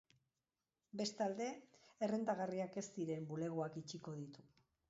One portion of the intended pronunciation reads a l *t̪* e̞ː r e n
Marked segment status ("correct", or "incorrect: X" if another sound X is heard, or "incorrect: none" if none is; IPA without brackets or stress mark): incorrect: d̪